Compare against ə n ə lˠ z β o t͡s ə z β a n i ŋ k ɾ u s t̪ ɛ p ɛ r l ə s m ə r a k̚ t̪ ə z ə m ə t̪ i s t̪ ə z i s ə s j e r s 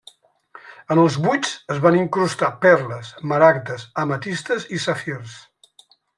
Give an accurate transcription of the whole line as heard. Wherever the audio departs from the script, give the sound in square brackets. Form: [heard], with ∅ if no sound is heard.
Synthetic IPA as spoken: ə n ə lˠ z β [u] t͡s ə z β a n i ŋ k ɾ u s t̪ [a] p ɛ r l ə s m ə [ɾ] a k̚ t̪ ə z ə m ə t̪ i s t̪ ə z i s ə [f] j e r s